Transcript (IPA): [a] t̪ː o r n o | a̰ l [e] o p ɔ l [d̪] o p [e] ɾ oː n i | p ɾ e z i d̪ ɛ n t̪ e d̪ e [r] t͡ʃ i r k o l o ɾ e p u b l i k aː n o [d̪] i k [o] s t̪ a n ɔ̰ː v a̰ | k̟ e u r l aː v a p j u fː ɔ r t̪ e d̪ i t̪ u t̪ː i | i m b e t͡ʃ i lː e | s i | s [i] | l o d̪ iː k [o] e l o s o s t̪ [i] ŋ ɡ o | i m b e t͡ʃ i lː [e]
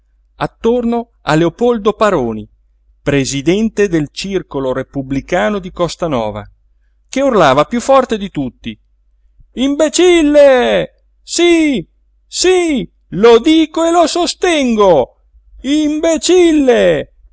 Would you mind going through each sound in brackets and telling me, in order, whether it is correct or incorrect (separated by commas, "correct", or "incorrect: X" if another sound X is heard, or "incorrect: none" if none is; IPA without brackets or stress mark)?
correct, correct, correct, incorrect: a, incorrect: l, correct, incorrect: ɔ, correct, correct, incorrect: ɛ, correct